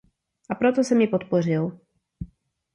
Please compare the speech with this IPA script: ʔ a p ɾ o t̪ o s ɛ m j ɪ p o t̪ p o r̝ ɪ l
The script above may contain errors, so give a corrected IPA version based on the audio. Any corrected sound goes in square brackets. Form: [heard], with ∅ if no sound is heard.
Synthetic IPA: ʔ a p ɾ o t̪ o s ɛ m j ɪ p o t̪ p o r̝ ɪ l